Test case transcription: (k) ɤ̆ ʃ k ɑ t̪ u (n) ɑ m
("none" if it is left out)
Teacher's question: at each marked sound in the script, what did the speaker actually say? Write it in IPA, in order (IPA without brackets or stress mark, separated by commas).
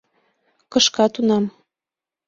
k, n